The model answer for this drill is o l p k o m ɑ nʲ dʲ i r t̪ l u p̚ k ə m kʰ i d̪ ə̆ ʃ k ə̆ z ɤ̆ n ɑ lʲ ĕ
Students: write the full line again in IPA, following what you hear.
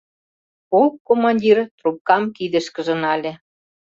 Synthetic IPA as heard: o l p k o m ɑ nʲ dʲ i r t̪ r u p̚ k ɑ m k i d̪ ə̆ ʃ k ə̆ ʒ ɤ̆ n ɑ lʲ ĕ